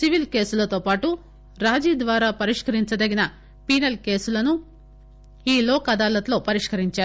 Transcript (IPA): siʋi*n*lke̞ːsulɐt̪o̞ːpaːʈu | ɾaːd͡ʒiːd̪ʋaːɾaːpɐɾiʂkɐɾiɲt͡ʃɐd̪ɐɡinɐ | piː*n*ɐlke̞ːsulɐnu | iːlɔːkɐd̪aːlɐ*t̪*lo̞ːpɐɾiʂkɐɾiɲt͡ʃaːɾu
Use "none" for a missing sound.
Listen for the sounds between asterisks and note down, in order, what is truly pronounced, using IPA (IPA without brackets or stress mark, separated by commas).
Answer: none, n, t̪